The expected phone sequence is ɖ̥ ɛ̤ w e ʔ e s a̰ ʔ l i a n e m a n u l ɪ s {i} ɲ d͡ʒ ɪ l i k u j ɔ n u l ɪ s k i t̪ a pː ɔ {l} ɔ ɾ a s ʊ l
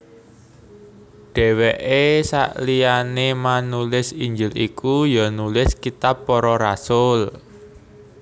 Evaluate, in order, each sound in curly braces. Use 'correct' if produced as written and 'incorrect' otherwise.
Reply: correct, incorrect: ɾ

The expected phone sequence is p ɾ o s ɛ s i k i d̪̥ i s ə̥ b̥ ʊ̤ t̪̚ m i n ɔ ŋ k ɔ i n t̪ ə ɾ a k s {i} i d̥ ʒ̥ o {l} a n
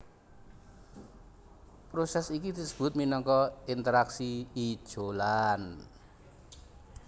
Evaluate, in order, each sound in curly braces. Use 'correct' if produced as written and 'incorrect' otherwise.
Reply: correct, correct

